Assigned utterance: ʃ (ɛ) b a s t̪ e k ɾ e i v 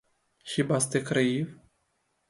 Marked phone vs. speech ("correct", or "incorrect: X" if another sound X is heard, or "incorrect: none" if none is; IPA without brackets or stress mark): incorrect: i